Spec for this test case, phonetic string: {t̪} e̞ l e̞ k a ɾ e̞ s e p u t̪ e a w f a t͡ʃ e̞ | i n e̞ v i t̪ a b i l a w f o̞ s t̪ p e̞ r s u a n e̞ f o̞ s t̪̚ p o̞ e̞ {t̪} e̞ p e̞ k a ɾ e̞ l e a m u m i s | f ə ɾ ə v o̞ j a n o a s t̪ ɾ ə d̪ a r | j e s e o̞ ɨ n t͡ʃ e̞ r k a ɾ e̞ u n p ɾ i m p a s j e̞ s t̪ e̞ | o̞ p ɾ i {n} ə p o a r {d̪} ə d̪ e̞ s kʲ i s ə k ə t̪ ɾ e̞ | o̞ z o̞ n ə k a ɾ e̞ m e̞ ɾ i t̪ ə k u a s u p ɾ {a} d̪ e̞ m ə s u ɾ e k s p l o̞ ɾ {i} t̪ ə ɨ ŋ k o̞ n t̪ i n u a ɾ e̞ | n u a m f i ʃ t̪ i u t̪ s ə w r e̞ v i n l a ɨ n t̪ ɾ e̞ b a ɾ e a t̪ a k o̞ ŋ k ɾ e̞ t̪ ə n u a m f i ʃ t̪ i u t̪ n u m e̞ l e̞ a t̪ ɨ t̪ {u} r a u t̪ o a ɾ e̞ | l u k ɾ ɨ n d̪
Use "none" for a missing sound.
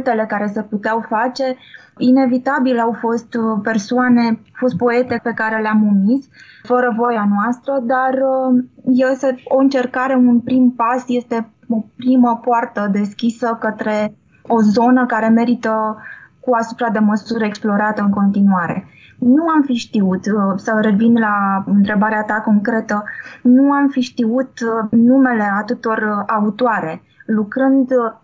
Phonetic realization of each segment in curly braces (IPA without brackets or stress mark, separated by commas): t̪, t̪, m, t̪, a, a, o